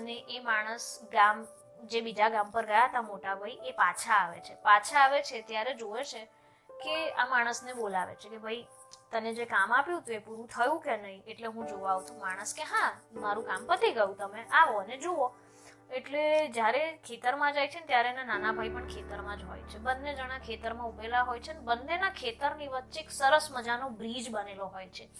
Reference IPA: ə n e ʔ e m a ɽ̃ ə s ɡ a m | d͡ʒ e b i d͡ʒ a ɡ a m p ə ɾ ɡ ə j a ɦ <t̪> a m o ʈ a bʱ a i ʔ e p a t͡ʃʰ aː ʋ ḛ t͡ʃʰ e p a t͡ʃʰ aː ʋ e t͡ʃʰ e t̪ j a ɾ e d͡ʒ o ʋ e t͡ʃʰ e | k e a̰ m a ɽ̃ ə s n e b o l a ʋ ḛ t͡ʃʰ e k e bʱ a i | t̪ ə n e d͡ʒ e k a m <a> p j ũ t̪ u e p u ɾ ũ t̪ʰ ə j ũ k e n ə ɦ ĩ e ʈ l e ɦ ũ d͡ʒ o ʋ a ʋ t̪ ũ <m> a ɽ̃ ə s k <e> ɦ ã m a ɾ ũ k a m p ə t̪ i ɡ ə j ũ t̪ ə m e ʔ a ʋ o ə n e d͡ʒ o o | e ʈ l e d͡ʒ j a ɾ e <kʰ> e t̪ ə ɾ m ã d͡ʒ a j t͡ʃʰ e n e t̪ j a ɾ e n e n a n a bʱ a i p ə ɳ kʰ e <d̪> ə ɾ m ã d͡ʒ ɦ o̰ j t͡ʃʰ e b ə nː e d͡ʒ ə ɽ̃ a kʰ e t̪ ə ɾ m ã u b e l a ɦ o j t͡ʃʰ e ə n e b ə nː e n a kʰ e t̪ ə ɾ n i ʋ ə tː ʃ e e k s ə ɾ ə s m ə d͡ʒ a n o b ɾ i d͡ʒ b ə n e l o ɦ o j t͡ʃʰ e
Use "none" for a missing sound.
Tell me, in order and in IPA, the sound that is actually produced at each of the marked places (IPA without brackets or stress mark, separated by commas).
t̪, a, m, e, kʰ, t̪